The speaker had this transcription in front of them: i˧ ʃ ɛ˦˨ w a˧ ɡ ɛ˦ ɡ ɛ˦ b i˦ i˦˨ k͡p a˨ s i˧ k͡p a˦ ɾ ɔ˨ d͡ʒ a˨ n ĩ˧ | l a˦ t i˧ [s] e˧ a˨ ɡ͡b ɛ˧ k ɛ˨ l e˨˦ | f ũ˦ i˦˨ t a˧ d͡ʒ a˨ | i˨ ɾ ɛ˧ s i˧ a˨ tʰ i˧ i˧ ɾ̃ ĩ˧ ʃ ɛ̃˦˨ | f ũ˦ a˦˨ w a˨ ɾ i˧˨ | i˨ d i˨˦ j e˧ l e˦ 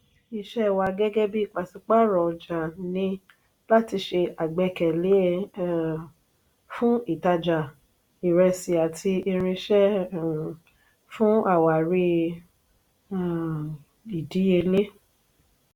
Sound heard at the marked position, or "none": ʃ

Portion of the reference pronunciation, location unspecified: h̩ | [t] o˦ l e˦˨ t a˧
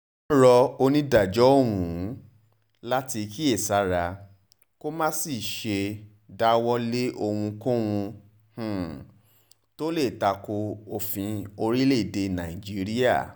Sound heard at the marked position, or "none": t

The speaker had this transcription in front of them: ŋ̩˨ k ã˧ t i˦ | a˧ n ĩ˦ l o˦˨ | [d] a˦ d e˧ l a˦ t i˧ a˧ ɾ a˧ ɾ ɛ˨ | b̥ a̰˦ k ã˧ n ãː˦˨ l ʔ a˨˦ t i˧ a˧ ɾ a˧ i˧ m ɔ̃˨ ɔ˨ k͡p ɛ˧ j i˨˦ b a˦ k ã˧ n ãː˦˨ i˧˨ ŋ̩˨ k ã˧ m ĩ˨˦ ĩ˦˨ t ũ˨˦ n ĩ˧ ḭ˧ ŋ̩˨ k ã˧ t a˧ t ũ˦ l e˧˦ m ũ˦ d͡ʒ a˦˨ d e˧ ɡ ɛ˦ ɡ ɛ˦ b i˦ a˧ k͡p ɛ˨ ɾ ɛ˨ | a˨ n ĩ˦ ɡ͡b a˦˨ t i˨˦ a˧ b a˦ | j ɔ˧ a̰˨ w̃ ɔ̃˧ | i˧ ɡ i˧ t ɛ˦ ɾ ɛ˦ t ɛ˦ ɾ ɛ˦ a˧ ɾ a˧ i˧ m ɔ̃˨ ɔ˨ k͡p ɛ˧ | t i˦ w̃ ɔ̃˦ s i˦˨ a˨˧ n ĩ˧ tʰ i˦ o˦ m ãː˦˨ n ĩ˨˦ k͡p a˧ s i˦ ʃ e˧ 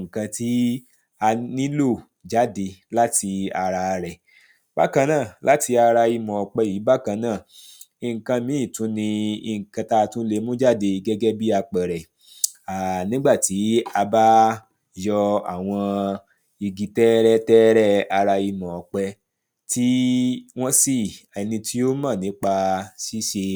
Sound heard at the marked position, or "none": d͡ʒ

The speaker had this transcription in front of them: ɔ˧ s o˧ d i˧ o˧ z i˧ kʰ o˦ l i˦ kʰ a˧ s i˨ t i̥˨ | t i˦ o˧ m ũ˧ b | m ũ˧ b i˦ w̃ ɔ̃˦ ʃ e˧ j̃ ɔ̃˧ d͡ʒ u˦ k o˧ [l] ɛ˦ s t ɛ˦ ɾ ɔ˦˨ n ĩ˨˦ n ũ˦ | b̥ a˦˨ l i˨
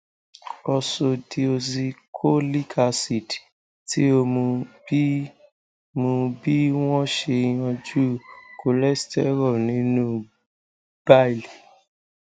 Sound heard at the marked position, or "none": l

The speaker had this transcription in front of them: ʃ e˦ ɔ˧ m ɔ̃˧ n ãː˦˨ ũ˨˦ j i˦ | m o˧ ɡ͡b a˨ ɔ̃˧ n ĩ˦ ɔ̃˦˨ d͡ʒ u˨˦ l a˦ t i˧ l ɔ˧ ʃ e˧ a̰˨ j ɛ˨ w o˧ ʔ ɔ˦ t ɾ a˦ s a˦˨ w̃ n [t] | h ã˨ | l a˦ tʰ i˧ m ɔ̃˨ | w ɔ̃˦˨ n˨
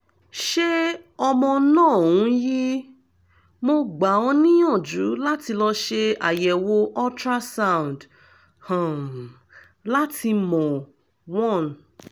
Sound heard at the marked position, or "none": d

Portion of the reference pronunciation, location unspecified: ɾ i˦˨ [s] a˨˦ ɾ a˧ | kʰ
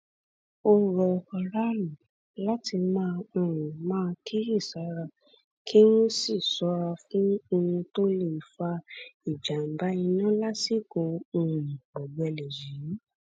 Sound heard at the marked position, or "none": s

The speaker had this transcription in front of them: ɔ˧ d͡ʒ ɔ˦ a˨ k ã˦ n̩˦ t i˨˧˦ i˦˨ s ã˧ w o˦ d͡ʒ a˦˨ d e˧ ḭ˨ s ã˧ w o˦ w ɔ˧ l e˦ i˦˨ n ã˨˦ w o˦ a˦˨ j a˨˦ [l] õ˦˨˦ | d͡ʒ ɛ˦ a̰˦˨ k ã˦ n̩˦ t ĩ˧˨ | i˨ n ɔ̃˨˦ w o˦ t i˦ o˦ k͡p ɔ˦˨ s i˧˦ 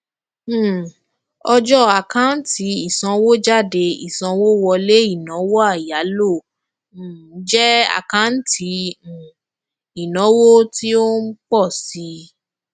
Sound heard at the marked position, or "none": l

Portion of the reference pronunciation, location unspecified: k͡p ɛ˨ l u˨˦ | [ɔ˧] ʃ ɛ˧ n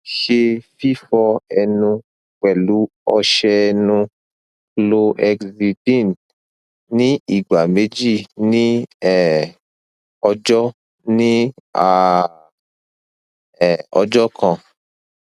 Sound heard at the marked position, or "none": ɔ˧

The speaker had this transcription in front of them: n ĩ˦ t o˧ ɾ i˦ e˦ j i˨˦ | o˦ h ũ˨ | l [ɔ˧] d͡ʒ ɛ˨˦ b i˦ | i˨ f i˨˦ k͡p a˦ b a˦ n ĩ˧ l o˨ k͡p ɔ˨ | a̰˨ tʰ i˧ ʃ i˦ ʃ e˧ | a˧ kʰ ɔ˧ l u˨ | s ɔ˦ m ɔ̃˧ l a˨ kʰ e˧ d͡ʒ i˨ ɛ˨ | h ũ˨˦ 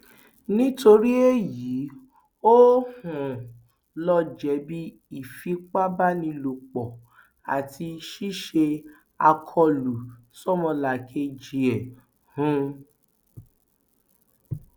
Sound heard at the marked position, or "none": ɔ˧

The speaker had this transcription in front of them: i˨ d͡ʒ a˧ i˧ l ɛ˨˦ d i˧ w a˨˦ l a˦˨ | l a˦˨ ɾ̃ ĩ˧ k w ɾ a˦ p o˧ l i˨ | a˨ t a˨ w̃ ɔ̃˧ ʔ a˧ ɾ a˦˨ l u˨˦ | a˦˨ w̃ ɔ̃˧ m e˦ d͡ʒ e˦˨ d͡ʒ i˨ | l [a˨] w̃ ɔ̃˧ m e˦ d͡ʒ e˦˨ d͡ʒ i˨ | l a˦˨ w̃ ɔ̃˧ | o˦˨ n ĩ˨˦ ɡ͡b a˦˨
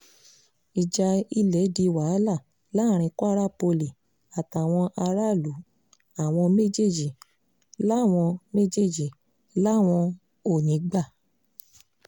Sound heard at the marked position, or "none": a˦˨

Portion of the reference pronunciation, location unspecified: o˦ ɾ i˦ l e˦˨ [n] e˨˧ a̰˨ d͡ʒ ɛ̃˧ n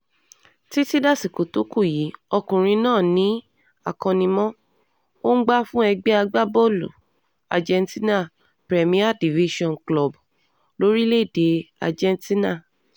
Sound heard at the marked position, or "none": d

